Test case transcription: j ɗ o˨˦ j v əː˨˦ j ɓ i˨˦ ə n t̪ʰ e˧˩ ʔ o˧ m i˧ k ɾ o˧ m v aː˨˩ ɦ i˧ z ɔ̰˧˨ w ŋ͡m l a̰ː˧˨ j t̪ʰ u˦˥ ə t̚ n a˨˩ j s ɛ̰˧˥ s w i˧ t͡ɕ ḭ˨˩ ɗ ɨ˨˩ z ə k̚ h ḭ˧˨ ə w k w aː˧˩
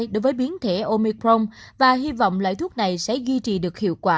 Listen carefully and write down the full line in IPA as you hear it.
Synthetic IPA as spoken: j ɗ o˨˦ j v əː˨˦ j ɓ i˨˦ ə n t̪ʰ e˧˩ ʔ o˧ m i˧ k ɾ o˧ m v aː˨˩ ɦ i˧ v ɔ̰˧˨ w ŋ͡m l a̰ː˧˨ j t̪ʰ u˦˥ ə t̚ n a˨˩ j s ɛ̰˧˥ z w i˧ t͡ɕ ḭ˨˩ ɗ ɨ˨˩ ə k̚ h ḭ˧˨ ə w k w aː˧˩

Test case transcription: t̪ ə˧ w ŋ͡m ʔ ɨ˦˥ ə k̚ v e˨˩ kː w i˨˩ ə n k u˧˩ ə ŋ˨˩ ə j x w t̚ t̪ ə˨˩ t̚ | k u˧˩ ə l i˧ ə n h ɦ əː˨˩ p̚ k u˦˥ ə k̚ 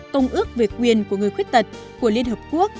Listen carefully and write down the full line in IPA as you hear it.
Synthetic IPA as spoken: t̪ ə˧ w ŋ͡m ʔ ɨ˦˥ ə k̚ v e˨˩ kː w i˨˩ ə n k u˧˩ ə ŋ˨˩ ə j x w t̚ t̪ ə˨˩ t̚ | k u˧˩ ə l i˧ ə n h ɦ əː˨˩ p̚ k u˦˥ ə k̚

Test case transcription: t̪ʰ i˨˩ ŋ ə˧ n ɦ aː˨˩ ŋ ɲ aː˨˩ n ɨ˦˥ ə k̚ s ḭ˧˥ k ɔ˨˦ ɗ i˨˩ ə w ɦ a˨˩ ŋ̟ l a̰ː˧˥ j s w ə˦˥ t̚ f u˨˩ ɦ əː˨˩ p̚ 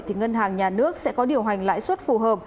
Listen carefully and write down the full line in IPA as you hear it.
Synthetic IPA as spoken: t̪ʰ i˨˩ ŋ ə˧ n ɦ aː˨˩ ŋ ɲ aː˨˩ n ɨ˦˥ ə k̚ s ɛ̰˧˥ k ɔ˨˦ ɗ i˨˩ ə w ɦ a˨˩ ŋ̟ l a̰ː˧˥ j s w ə˦˥ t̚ f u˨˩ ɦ əː˨˩ p̚

